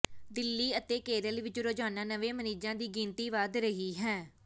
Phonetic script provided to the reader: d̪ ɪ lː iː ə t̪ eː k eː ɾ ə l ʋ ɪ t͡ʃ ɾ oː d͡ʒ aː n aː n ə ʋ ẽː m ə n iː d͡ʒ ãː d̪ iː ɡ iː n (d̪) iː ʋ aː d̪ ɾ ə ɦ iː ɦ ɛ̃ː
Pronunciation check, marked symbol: incorrect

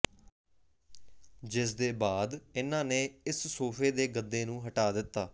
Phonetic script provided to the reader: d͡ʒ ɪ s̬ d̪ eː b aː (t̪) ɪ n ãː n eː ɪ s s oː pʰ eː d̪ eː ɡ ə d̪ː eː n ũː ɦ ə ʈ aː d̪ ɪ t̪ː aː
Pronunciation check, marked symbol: incorrect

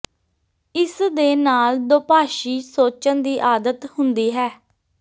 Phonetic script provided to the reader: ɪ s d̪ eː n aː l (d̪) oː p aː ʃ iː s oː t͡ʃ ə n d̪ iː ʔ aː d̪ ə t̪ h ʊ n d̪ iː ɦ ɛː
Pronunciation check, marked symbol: correct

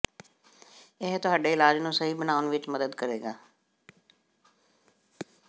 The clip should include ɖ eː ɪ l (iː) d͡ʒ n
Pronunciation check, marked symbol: incorrect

